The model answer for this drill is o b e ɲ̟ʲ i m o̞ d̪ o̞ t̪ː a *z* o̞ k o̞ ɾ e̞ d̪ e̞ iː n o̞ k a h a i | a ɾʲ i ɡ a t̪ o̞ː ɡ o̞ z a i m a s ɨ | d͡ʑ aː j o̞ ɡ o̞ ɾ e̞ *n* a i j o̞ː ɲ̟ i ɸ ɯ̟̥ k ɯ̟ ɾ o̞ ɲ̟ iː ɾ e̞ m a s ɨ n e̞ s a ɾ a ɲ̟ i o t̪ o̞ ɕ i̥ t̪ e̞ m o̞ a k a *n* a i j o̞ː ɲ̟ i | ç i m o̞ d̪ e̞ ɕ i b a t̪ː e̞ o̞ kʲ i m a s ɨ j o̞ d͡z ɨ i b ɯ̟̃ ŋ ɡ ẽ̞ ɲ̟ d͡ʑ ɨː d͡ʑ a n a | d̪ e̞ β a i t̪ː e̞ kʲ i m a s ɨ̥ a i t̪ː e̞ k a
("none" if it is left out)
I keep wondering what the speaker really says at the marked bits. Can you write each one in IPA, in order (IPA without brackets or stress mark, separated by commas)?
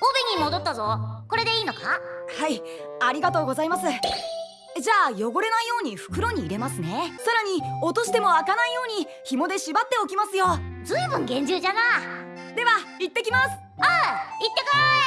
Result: z, n, n